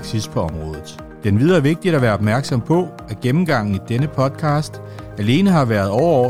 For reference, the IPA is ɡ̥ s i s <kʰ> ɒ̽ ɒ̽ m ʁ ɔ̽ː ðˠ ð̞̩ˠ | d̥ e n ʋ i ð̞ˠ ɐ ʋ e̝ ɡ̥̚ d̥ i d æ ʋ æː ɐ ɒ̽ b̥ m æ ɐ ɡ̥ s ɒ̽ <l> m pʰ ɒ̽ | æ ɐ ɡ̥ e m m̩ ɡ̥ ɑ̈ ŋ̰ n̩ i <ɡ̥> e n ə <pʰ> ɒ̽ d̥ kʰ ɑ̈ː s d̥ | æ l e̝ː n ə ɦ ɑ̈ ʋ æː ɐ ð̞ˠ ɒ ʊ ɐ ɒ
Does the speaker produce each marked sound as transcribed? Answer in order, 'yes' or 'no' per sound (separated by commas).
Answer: no, no, no, yes